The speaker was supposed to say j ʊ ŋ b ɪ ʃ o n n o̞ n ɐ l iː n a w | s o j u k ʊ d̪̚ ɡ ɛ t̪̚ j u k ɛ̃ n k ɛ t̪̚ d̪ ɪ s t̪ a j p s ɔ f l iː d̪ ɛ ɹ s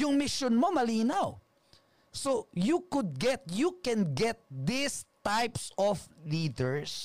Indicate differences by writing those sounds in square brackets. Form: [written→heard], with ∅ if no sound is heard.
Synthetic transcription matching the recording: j ʊ ŋ [b→m] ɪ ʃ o n [n→m] o̞ [n→m] ɐ l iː n a w | s o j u k ʊ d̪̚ ɡ ɛ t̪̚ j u k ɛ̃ n [k→ɡ] ɛ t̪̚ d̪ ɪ s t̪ a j p s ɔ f l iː d̪ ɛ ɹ s